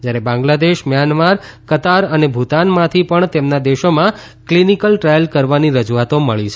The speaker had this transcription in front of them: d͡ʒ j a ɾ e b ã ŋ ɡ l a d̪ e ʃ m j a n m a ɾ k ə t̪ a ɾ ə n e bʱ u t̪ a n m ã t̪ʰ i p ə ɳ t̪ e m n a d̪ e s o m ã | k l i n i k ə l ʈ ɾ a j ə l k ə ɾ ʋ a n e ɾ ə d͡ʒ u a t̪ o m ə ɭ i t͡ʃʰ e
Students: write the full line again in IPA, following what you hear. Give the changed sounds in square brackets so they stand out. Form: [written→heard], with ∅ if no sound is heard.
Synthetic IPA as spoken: d͡ʒ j a ɾ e b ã ŋ ɡ l a d̪ e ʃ m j a n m a ɾ k ə t̪ a ɾ ə n e bʱ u t̪ a n m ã t̪ʰ i p ə ɳ t̪ e m n a d̪ e [s→ʃ] o m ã | k l i n i k ə l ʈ ɾ a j ə l k ə ɾ ʋ a n [e→i] ɾ ə d͡ʒ u a t̪ o m ə ɭ i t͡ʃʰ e